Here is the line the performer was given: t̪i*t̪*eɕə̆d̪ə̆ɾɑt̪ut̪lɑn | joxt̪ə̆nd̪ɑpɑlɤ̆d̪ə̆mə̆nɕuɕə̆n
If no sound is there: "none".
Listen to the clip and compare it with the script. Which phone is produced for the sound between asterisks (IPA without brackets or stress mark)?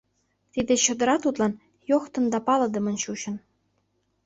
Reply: d̪